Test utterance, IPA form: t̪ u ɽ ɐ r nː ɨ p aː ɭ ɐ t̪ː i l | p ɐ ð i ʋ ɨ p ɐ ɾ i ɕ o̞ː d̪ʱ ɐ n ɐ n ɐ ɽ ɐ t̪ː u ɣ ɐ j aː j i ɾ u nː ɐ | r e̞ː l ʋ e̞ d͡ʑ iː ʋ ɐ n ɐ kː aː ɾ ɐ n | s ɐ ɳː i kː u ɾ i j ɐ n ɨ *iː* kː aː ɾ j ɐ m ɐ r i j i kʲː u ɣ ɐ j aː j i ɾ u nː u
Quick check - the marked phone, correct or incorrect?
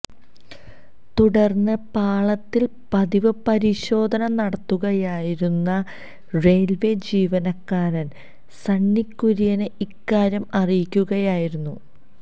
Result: incorrect